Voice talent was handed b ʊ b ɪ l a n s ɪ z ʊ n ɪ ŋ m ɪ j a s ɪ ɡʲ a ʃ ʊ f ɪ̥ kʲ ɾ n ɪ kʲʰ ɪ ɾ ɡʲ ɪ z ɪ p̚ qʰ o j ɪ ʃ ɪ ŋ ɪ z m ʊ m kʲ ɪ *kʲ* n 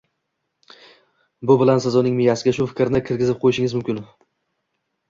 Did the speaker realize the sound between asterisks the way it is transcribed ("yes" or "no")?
no